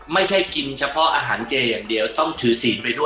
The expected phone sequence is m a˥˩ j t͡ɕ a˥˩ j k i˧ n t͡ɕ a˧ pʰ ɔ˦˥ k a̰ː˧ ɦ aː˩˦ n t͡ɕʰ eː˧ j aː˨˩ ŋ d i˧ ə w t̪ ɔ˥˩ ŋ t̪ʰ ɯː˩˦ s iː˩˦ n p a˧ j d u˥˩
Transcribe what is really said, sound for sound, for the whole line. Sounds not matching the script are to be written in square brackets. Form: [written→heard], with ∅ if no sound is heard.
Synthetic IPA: m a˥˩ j [t͡ɕ→t͡ɕʰ] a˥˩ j k i˧ n [t͡ɕ→t͡ɕʰ] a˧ pʰ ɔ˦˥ [k→ʔ] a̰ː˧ ɦ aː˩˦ n [t͡ɕʰ→t͡ɕ] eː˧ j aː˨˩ ŋ d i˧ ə w t̪ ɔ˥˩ ŋ t̪ʰ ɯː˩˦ s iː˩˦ n p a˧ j d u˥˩